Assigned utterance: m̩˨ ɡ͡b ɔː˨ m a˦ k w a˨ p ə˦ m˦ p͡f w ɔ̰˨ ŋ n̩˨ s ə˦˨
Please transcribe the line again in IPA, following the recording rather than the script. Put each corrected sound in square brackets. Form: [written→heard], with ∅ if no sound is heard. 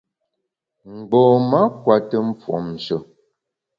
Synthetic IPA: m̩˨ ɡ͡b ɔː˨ m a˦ k w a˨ [p→t] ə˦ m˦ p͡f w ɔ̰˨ [ŋ→m] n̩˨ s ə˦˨